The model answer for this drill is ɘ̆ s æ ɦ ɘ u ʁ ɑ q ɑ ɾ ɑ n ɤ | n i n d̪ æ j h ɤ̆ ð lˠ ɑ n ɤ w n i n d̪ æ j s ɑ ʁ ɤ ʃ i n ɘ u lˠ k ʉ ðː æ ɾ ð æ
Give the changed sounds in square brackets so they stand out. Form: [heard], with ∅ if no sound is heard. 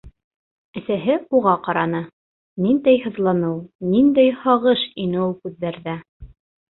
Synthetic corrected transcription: ɘ̆ s æ ɦ ɘ u ʁ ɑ q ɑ ɾ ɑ n ɤ | n i n d̪ æ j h ɤ̆ ð lˠ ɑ n ɤ w n i n d̪ æ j [h] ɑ ʁ ɤ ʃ i n ɘ u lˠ k ʉ ðː æ ɾ ð æ